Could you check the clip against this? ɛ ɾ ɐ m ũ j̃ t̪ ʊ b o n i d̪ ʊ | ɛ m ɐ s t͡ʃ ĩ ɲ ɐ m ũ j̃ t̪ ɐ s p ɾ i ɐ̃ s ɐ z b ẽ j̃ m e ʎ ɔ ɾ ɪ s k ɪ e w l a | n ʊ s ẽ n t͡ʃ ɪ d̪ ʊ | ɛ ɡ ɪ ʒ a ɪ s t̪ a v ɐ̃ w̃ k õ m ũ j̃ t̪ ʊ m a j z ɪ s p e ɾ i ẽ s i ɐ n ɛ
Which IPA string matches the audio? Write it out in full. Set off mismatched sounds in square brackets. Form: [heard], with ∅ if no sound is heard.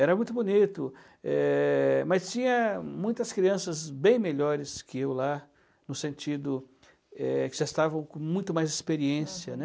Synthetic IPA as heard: ɛ ɾ ɐ m ũ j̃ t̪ ʊ b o n i [t̪] ʊ | ɛ m ɐ s t͡ʃ ĩ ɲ ɐ m ũ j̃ t̪ ɐ s [k] ɾ i ɐ̃ s ɐ z b ẽ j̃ m e ʎ ɔ ɾ ɪ s k ɪ e w l a | n ʊ s ẽ n t͡ʃ [i] d̪ ʊ | ɛ [k] ɪ ʒ a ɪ s t̪ a v ɐ̃ w̃ k õ m ũ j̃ t̪ ʊ m a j z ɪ s p e ɾ i ẽ s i ɐ n ɛ